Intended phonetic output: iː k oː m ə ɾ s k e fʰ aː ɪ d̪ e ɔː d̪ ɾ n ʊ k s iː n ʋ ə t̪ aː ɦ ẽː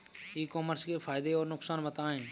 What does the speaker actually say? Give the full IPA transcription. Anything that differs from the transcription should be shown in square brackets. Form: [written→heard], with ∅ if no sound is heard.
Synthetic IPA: iː k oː m ə ɾ s k e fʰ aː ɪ d̪ e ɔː [d̪→∅] ɾ n ʊ k s [iː→aː] n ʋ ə t̪ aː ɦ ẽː